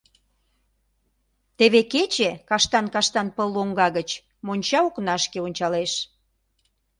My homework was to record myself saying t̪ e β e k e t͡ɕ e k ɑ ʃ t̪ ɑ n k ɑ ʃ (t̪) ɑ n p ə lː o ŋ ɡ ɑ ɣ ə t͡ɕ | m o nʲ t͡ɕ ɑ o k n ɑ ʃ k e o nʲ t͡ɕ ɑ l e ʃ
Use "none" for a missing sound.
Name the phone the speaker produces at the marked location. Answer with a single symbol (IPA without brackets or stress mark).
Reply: t̪